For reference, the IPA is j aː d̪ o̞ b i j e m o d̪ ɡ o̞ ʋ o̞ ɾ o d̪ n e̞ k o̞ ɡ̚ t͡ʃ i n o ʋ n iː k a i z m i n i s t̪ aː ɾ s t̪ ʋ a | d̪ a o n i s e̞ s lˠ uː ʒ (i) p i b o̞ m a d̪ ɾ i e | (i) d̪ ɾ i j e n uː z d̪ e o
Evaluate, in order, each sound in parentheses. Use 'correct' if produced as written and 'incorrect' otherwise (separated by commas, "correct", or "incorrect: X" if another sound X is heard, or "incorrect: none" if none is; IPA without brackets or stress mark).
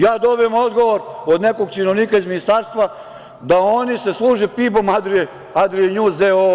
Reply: incorrect: e, incorrect: a